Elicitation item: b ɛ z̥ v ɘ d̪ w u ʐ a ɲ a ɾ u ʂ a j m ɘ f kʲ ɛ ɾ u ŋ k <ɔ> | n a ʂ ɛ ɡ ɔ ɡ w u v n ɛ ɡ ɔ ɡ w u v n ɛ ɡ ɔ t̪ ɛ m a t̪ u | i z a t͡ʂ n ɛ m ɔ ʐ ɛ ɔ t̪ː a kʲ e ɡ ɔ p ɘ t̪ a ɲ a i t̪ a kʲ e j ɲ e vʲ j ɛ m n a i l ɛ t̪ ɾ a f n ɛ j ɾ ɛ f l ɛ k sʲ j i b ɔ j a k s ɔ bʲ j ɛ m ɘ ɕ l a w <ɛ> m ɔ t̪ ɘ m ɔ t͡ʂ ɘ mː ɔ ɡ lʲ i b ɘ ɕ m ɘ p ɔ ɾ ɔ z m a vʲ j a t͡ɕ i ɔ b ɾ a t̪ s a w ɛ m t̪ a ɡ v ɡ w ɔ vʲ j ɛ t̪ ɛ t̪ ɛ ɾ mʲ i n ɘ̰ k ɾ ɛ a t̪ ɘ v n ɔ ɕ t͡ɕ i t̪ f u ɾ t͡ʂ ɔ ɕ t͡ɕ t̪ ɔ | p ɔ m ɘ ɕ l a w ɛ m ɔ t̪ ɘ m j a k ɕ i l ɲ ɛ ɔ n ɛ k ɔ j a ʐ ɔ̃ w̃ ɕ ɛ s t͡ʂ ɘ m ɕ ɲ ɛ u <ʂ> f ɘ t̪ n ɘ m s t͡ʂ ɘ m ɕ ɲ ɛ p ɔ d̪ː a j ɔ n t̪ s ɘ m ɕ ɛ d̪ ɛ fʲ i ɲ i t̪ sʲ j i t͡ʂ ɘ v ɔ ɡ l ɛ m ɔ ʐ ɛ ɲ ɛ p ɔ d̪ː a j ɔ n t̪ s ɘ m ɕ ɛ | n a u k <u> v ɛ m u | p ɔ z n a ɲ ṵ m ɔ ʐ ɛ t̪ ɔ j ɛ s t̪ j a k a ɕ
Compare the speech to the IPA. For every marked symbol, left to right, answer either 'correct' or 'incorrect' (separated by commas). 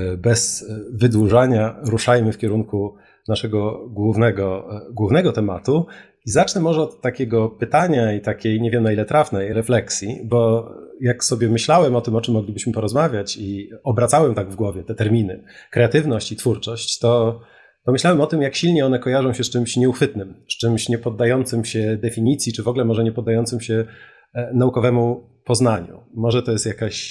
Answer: incorrect, correct, incorrect, incorrect